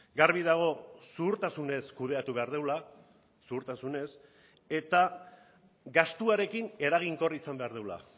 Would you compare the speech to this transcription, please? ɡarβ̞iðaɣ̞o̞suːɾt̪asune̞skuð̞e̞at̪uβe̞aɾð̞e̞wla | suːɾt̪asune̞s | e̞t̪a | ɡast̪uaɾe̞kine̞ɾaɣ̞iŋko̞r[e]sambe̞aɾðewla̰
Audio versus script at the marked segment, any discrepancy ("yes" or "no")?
yes